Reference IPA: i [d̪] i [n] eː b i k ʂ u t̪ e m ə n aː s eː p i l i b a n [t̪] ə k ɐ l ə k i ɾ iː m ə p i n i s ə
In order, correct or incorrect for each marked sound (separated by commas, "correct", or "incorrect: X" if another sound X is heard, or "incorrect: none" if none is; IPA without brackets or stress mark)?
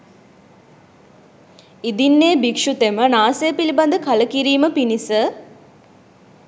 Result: correct, incorrect: nː, incorrect: d̪